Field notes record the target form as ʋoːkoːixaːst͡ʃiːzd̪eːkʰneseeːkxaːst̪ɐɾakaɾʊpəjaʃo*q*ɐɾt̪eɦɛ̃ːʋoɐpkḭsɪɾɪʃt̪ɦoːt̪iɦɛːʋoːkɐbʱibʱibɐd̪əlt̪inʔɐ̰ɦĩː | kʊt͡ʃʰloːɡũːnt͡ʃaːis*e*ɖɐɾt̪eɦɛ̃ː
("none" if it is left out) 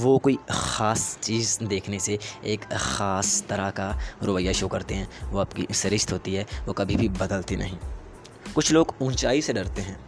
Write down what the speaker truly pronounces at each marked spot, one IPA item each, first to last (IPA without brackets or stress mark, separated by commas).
k, e